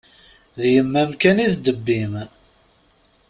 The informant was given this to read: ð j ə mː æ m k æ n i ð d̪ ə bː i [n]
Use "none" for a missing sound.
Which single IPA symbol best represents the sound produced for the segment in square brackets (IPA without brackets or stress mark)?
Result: m